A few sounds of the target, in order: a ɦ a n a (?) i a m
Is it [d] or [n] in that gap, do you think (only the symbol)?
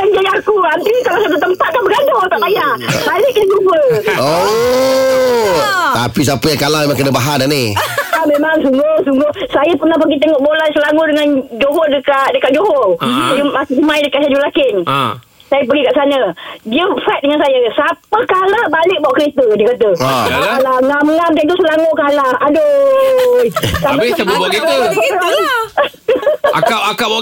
n